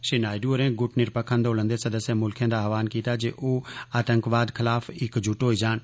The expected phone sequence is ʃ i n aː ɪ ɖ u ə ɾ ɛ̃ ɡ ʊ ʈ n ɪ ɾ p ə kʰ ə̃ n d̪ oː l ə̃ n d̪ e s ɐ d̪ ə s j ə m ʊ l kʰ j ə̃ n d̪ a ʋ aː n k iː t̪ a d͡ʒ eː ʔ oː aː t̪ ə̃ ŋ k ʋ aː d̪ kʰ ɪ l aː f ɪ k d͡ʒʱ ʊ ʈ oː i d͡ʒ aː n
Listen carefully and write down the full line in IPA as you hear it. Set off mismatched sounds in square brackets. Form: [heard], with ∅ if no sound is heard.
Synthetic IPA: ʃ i n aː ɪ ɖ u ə ɾ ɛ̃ ɡ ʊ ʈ n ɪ ɾ p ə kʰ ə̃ n d̪ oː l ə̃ n d̪ e s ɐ d̪ ə s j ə m ʊ l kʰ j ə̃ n d̪ a ʋ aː n k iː t̪ a d͡ʒ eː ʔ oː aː t̪ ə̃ ŋ k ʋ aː d̪ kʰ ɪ l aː f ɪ k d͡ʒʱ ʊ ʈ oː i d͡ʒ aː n